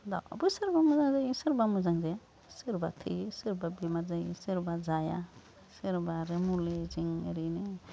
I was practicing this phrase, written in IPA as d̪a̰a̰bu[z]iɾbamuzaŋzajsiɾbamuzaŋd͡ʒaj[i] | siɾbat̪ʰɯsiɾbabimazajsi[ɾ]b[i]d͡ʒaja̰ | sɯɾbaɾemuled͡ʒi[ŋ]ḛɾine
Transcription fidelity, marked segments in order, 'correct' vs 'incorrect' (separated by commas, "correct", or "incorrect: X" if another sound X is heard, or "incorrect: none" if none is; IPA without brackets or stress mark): incorrect: s, incorrect: a, correct, incorrect: a, correct